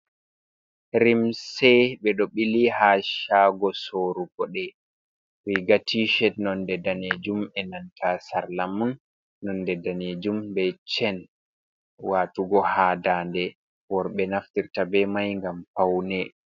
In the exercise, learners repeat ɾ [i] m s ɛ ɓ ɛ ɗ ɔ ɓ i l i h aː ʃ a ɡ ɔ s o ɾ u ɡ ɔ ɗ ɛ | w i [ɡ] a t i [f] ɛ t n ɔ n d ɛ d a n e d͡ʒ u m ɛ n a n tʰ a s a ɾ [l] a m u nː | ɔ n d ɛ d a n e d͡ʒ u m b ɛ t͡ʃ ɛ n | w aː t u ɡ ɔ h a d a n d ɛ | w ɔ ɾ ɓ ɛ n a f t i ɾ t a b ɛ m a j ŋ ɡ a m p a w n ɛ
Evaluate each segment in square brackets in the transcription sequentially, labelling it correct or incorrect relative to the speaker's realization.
correct, correct, incorrect, correct

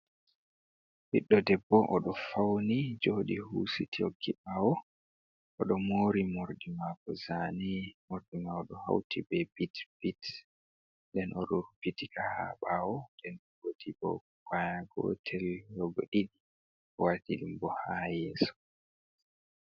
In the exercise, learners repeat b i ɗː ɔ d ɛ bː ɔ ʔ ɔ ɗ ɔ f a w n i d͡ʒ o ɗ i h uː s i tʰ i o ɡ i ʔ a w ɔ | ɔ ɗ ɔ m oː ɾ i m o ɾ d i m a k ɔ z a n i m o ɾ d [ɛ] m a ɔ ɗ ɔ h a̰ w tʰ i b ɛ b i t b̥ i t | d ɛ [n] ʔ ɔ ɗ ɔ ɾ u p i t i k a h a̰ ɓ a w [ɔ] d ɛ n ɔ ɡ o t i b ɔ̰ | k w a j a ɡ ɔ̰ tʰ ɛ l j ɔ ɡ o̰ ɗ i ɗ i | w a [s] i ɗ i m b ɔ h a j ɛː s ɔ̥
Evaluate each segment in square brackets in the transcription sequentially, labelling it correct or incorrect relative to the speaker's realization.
incorrect, correct, correct, incorrect

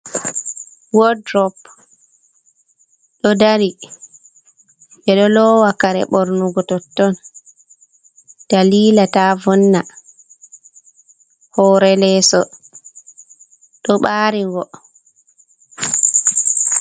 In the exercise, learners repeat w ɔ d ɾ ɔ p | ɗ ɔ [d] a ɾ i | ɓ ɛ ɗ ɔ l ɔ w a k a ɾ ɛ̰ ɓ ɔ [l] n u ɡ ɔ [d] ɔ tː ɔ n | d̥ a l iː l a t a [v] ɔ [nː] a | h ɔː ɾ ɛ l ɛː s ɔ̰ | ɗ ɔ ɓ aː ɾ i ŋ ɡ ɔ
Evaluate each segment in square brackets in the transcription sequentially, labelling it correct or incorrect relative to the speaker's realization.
correct, incorrect, incorrect, correct, correct

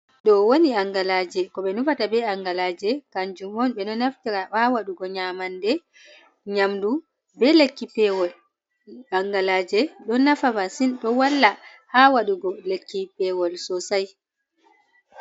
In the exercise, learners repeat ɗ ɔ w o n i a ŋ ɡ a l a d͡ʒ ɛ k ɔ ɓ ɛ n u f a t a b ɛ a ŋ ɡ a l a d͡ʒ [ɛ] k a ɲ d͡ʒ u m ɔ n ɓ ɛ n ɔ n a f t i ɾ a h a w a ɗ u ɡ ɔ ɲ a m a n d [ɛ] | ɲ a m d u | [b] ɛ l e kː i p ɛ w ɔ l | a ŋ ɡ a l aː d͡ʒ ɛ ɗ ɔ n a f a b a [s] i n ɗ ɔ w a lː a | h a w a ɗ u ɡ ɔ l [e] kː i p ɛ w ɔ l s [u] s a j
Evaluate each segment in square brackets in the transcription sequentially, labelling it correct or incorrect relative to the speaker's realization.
correct, correct, correct, correct, correct, incorrect

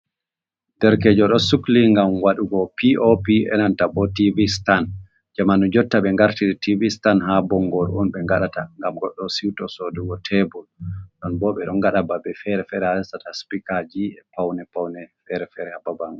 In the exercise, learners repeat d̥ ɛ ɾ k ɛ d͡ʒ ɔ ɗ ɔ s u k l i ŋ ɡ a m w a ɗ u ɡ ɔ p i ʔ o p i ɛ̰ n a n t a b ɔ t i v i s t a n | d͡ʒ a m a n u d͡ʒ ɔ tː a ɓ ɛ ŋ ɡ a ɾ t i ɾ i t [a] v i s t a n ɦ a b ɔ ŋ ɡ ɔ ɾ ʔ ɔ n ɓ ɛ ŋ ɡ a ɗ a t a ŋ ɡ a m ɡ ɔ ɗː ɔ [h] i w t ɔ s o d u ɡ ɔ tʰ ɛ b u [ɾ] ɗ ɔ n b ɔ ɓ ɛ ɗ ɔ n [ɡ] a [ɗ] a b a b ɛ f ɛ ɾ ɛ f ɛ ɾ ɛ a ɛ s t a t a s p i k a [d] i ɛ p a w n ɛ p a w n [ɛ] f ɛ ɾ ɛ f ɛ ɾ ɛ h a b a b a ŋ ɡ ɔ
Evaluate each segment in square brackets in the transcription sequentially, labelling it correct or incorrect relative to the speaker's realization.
incorrect, incorrect, incorrect, correct, correct, incorrect, correct

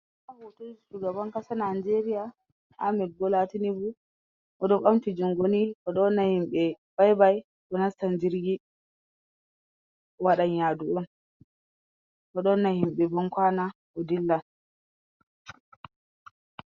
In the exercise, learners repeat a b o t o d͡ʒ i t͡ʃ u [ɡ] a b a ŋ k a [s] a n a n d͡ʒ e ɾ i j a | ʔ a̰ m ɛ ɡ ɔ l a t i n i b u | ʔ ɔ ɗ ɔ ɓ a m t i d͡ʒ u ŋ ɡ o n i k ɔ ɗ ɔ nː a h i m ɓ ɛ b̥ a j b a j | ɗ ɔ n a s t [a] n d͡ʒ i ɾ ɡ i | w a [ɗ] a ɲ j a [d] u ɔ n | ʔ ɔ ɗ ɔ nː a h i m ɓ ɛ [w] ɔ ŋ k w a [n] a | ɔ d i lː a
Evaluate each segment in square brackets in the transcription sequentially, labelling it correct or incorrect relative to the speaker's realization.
correct, correct, correct, correct, correct, incorrect, correct

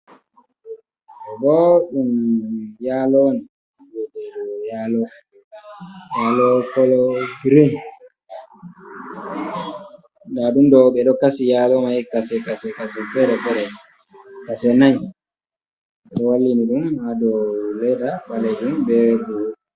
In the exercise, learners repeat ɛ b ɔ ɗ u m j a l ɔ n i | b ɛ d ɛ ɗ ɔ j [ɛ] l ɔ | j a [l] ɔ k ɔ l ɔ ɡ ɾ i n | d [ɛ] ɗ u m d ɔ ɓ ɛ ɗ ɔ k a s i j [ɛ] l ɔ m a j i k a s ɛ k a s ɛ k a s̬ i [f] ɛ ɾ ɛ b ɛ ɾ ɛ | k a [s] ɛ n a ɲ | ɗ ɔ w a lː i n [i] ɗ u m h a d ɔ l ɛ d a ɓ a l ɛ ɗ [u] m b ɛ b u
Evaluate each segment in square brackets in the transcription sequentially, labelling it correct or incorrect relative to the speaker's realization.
incorrect, correct, incorrect, incorrect, correct, correct, correct, correct

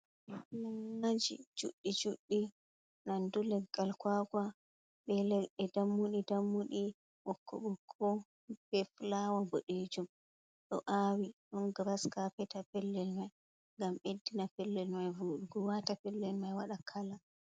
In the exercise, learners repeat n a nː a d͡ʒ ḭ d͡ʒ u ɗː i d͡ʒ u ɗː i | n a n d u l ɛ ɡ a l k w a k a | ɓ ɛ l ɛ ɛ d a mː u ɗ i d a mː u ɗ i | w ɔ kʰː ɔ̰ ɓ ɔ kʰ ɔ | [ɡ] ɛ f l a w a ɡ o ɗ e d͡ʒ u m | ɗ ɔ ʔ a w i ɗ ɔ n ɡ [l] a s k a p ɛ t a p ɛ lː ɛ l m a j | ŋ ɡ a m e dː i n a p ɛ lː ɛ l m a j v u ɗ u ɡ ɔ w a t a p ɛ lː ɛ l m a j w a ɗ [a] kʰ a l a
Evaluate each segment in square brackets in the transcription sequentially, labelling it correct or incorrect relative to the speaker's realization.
incorrect, incorrect, correct

